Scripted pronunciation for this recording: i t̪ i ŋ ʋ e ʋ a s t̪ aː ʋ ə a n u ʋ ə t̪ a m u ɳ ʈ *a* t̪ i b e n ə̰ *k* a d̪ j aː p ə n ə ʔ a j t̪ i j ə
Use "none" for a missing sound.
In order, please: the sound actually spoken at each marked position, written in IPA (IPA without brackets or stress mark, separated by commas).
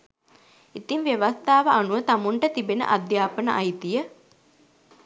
ə, ʔ